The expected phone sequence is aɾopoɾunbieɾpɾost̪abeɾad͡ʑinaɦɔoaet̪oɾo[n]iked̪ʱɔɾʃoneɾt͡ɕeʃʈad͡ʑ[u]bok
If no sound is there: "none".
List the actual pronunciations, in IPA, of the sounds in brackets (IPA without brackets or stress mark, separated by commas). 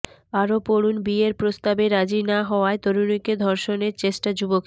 n, u